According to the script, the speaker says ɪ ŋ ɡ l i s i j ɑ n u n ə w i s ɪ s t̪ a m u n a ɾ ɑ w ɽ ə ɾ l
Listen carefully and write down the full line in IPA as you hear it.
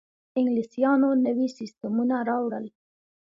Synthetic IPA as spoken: ɪ ŋ ɡ l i s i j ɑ n o n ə w i s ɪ s t̪ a m u n a ɾ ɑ w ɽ ə l